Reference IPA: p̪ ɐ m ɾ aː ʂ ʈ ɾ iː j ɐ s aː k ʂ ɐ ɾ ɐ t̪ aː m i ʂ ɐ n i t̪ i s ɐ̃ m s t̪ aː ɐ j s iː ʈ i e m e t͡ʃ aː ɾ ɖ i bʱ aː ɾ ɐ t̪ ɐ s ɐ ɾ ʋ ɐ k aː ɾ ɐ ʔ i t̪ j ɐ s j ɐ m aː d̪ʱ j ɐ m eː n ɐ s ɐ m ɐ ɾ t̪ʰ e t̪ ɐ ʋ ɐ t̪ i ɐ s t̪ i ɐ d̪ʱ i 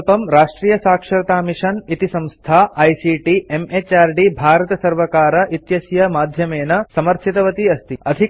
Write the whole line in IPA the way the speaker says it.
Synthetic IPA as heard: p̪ ɐ m ɾ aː ʂ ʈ ɾ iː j ɐ s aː k ʂ ɐ ɾ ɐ t̪ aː m i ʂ ɐ n i t̪ i s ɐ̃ m s t̪ʰ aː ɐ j s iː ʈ i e m e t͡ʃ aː ɾ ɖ i bʱ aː ɾ ɐ t̪ ɐ s ɐ ɾ ʋ ɐ k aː ɾ ɐ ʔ i t̪ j ɐ s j ɐ m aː d̪ʱ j ɐ m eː n ɐ s ɐ m ɐ ɾ t̪ʰ i t̪ ɐ ʋ ɐ t̪ i ɐ s t̪ i ɐ d̪ʱ i